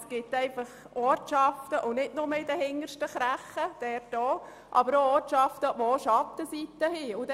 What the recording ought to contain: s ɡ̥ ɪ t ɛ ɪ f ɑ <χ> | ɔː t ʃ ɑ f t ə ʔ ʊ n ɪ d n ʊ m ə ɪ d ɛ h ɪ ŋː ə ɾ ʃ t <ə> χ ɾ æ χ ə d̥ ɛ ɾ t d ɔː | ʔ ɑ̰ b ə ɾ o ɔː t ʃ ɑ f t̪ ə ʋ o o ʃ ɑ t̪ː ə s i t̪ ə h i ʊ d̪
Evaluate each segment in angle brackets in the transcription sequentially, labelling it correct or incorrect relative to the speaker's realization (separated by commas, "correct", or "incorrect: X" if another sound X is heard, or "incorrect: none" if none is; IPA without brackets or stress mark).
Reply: correct, correct